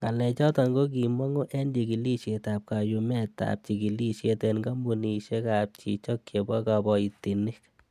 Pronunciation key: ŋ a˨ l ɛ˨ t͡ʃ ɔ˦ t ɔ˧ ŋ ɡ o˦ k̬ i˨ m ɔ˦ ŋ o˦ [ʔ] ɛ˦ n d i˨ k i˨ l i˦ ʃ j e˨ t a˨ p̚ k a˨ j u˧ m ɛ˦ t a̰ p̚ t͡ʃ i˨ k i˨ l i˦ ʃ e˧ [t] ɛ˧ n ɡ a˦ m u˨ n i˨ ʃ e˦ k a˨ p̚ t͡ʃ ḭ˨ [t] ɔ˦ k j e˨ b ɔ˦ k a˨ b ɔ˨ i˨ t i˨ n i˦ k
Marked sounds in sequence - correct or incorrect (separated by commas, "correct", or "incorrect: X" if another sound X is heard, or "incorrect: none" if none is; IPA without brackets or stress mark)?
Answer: correct, correct, incorrect: t͡ʃ